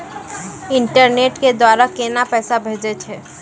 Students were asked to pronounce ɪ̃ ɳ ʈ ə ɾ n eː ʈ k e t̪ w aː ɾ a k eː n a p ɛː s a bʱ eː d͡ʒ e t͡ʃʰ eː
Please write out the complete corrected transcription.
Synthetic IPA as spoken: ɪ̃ ɳ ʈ ə ɾ n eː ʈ k e d̪ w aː ɾ a k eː n a p ɛː s a bʱ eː d͡ʒ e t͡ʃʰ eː